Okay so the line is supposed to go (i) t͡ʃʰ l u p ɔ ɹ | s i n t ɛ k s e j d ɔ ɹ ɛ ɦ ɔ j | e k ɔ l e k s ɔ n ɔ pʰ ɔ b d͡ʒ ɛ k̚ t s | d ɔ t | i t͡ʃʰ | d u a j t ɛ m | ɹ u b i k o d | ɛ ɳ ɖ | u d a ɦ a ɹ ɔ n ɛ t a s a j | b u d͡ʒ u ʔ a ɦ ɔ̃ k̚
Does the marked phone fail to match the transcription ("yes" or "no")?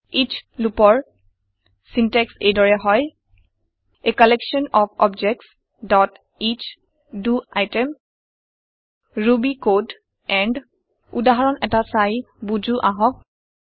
no